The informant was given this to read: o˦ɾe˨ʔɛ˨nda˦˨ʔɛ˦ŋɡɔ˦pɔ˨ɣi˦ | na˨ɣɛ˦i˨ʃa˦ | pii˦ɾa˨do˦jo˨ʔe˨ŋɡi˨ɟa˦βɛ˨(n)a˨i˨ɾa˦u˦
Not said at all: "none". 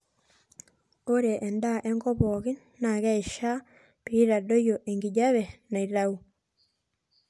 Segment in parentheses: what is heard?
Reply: n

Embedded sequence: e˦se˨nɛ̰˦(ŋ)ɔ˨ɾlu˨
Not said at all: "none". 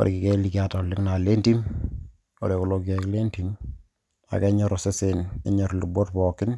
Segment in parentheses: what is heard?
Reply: ɲ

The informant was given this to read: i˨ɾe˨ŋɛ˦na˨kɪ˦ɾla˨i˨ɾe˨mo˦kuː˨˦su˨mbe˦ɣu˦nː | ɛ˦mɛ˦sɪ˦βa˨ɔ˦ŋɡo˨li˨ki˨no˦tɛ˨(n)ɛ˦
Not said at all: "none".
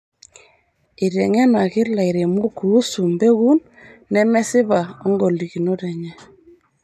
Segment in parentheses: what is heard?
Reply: ɲ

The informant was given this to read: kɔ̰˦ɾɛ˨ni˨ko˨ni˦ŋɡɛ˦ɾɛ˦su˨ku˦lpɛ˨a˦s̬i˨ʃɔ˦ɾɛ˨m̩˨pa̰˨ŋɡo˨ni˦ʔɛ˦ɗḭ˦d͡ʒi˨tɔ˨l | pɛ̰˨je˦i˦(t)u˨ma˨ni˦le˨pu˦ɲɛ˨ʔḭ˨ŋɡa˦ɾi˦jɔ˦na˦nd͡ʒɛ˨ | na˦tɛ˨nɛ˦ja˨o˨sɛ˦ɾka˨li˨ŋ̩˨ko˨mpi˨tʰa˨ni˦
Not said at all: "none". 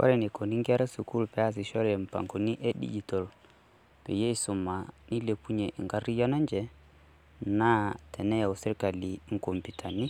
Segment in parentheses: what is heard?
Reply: s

